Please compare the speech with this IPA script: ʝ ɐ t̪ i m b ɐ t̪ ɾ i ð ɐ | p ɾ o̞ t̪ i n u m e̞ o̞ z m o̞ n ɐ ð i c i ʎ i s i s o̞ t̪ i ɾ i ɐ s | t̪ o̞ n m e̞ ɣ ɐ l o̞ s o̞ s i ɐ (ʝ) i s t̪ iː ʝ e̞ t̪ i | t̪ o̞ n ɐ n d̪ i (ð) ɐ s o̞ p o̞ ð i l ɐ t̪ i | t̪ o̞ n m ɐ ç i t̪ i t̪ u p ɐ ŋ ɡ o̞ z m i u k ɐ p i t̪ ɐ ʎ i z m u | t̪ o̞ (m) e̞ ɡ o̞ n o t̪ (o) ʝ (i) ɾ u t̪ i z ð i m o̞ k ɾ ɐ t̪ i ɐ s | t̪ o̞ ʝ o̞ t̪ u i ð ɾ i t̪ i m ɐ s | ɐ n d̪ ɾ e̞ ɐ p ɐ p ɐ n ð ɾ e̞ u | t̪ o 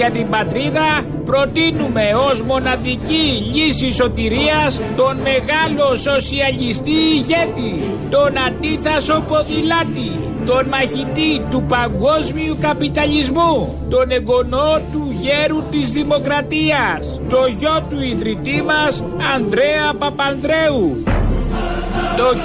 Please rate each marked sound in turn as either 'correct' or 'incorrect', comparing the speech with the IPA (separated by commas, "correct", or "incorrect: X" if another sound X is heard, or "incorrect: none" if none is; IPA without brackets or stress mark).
incorrect: ʎ, incorrect: θ, incorrect: n, incorrect: u, incorrect: e